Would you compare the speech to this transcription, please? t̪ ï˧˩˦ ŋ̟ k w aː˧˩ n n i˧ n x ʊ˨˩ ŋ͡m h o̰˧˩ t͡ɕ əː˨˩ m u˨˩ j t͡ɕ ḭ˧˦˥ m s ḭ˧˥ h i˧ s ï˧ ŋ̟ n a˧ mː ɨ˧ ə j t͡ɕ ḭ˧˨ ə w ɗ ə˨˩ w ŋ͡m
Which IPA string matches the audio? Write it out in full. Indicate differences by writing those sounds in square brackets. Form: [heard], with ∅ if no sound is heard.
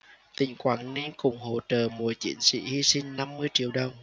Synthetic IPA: t̪ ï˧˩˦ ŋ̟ k w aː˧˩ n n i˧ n [k] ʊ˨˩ ŋ͡m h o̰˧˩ t͡ɕ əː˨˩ m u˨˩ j t͡ɕ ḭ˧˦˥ [n] s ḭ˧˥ h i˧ s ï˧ ŋ̟ n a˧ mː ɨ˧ ə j t͡ɕ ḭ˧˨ ə w ɗ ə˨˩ w ŋ͡m